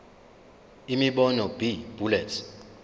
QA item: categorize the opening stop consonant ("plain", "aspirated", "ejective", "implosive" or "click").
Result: implosive